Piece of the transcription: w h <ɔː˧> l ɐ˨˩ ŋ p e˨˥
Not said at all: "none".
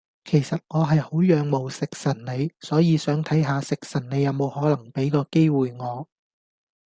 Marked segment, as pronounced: ɔː˨˥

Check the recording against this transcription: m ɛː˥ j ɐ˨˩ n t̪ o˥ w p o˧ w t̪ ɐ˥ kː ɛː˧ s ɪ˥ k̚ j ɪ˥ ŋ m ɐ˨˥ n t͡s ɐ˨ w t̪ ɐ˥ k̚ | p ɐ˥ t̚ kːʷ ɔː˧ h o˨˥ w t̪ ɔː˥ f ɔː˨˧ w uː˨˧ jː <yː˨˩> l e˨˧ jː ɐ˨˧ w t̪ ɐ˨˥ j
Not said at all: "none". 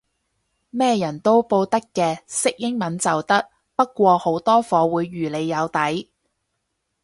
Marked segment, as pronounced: yː˨˩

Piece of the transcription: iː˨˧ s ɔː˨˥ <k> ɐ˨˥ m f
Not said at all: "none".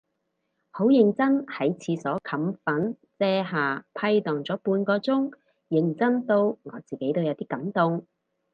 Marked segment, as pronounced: kʰ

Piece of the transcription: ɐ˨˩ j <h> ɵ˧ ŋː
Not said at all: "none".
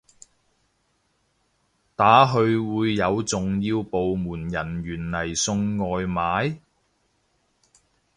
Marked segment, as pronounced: s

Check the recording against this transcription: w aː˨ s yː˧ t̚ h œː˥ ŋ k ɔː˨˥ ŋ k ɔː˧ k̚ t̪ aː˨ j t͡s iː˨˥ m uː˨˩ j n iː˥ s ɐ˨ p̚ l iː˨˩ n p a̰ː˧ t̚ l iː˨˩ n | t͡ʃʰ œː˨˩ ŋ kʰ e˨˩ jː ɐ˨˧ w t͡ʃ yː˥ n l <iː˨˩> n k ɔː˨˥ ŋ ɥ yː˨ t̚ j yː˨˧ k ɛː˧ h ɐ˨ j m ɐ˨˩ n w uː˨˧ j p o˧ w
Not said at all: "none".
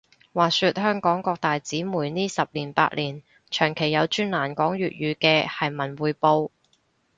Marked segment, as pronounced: aː˨˩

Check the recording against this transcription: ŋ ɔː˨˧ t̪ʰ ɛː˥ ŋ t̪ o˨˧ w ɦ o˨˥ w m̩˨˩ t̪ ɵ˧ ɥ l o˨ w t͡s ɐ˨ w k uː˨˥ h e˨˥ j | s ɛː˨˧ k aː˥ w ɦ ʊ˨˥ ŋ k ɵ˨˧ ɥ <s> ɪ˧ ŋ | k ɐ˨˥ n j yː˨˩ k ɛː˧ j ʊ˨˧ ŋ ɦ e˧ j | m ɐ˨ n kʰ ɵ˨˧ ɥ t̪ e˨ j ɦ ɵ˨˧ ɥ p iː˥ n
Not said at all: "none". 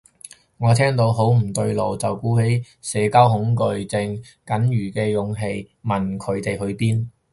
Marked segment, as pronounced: t͡s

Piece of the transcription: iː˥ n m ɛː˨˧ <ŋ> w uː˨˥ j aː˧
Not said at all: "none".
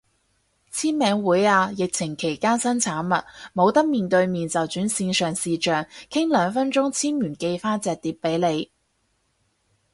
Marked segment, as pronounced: ŋ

